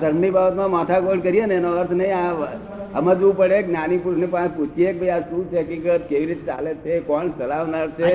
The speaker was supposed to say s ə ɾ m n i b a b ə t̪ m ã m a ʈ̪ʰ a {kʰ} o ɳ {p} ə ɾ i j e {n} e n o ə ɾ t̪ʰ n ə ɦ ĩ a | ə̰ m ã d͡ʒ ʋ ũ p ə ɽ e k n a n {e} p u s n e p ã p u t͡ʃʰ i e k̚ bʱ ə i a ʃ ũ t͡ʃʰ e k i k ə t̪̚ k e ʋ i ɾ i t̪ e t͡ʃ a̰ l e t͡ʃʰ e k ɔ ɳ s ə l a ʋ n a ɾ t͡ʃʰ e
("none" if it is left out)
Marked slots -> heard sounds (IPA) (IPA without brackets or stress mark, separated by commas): k, k, n, i